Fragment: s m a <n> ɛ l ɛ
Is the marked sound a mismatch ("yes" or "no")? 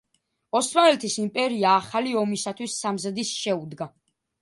no